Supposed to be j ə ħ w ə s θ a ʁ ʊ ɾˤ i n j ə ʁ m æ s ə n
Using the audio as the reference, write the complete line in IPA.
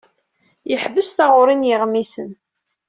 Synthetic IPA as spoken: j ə ħ v ə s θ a ʁ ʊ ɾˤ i n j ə ʁ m i s ə n